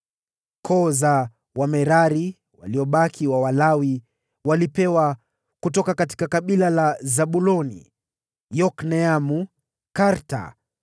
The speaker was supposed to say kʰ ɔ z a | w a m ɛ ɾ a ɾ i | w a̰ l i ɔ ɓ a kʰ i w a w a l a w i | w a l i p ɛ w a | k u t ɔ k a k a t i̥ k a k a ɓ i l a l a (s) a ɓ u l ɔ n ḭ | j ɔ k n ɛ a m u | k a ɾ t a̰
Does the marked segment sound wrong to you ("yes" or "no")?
yes